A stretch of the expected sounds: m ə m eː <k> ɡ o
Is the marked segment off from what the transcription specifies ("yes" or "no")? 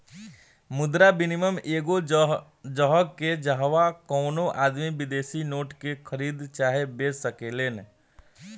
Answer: yes